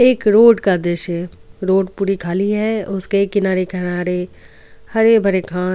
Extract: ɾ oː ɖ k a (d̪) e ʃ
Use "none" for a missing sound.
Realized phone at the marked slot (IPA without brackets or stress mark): d̪